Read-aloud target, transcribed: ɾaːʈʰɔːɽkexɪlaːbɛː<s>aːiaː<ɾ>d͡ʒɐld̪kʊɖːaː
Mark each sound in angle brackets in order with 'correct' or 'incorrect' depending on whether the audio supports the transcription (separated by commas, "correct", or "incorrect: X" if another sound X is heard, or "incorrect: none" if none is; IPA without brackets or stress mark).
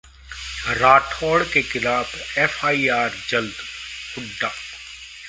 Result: incorrect: f, correct